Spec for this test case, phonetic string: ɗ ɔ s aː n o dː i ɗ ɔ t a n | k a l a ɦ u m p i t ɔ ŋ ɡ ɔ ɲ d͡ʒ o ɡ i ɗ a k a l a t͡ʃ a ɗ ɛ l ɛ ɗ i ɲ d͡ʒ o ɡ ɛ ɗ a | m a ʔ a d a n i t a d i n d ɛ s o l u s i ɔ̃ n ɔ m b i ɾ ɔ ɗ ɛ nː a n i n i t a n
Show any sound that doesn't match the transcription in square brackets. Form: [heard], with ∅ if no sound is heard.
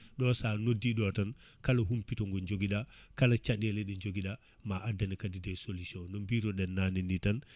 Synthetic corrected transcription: ɗ ɔ s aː n o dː i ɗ ɔ t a n | k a l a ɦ u m p i t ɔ ŋ ɡ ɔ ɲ d͡ʒ o ɡ i ɗ a k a l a t͡ʃ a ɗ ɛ l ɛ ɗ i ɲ d͡ʒ o ɡ [i] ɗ a | m a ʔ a d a n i [k] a d i [∅] d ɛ s o l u s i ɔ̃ n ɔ m b i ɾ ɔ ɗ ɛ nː a n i n i t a n